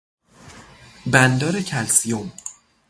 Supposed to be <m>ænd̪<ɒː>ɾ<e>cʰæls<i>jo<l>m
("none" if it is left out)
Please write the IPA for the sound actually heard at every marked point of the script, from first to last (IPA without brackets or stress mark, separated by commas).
b, ɒː, e, i, none